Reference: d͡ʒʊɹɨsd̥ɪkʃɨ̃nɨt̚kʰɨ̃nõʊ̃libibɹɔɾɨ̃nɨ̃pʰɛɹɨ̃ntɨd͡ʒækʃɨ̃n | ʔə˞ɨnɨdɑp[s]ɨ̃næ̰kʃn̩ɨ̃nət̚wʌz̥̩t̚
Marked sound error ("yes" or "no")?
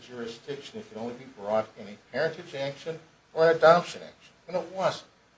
yes